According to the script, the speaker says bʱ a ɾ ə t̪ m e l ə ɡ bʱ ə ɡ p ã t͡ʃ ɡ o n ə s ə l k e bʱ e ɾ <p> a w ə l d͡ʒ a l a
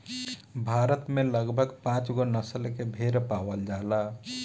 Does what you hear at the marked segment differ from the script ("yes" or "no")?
no